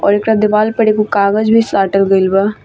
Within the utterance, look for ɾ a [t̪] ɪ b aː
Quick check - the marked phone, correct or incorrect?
incorrect